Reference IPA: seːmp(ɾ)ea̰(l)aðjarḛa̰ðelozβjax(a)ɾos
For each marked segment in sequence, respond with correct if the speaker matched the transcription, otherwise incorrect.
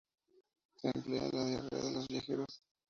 incorrect, correct, incorrect

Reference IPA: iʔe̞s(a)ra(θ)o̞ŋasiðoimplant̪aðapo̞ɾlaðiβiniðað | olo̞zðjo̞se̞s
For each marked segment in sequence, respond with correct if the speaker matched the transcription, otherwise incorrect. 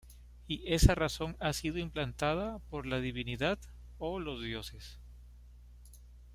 correct, incorrect

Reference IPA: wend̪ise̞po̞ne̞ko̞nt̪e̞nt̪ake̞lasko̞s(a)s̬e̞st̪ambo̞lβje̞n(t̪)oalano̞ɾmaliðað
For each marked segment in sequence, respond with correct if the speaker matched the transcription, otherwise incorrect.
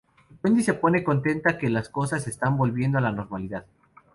correct, incorrect

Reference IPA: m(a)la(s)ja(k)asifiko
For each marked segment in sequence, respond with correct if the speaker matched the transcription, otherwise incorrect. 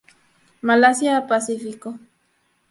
correct, correct, incorrect

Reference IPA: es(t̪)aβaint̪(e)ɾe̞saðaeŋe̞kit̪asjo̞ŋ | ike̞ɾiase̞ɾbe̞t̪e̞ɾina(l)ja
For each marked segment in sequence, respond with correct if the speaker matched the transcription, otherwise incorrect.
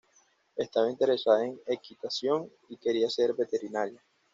correct, correct, incorrect

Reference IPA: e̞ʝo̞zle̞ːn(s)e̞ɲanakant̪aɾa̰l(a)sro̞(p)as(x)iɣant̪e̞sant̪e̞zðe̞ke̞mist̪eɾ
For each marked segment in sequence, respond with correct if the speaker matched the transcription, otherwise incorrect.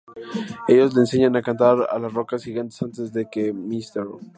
correct, correct, incorrect, correct

